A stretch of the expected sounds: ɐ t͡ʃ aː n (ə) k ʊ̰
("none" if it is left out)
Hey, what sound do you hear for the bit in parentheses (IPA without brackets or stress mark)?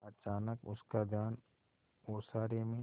ə